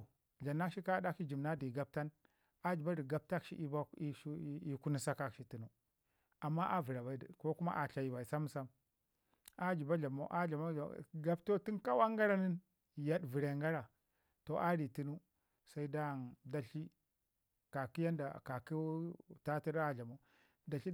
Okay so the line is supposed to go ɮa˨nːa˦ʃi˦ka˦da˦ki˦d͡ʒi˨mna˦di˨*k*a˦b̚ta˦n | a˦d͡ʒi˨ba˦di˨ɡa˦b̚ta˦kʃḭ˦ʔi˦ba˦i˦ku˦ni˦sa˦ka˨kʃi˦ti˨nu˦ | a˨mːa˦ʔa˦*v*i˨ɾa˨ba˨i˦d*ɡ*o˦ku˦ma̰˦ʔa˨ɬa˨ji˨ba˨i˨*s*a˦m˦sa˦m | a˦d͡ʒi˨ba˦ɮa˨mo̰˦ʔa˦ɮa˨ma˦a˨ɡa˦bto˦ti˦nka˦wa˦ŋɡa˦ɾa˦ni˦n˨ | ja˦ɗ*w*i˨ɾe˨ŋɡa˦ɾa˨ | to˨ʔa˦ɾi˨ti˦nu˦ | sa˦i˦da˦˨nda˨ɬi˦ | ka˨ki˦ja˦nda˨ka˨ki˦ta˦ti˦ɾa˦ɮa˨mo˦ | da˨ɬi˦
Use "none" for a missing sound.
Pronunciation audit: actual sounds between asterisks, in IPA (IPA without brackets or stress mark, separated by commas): ɡ, v, k, s, v